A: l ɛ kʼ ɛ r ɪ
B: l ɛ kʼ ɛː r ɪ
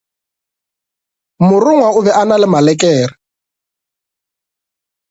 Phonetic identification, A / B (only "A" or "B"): B